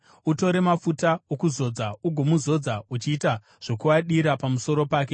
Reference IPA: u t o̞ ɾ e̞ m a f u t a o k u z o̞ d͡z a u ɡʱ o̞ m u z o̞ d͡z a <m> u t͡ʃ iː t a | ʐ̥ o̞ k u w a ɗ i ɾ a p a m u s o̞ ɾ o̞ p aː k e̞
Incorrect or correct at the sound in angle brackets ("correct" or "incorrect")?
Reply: incorrect